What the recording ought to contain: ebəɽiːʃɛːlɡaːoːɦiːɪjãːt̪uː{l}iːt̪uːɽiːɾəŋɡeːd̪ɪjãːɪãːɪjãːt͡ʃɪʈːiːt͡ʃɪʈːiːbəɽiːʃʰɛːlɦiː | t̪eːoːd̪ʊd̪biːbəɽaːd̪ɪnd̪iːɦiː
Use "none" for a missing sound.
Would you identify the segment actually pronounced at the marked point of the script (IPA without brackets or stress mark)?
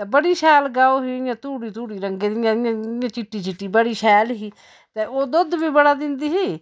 ɽ